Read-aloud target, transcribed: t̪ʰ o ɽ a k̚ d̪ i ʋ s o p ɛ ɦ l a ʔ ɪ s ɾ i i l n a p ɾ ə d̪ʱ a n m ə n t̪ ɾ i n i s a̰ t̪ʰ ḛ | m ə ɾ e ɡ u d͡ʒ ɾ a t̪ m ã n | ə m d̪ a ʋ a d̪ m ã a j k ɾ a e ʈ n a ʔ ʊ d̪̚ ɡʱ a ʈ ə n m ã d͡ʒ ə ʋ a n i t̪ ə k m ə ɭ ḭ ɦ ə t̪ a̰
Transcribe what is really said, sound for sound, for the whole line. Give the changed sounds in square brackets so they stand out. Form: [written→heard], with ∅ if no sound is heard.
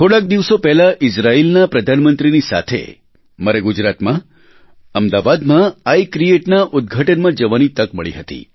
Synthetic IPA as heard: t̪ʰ o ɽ a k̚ d̪ i ʋ s o p ɛ ɦ l a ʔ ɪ s ɾ [i→a] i l n a p ɾ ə d̪ʱ a n m ə n t̪ ɾ i n i s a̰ t̪ʰ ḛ | m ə ɾ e ɡ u d͡ʒ ɾ a t̪ m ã [n→∅] | ə m d̪ a ʋ a d̪ m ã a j k ɾ [a→i] e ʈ n a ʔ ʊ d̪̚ ɡʱ a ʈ ə n m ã d͡ʒ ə ʋ a n i t̪ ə k m ə ɭ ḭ ɦ ə t̪ [a̰→ḭ]